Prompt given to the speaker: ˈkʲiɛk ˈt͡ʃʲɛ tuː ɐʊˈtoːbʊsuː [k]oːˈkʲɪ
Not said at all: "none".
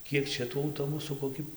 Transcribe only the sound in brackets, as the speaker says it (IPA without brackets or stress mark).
k